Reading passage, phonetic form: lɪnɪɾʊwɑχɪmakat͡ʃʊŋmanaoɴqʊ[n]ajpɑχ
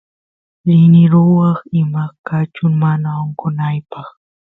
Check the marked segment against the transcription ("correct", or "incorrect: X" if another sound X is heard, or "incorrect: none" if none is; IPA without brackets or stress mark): correct